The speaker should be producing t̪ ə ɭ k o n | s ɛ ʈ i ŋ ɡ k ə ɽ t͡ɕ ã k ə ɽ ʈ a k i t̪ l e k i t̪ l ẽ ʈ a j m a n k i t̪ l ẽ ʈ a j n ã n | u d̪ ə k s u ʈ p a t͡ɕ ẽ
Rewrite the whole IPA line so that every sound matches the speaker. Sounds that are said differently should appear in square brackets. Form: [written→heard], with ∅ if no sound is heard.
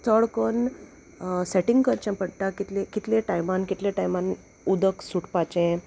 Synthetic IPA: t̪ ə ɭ k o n | s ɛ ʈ i ŋ ɡ k ə [ɽ→ɾ] t͡ɕ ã [k→p] ə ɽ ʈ a k i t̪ l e k i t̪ l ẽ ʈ a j m a n k i t̪ l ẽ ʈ a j [n→m] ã n | u d̪ ə k s u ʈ p a t͡ɕ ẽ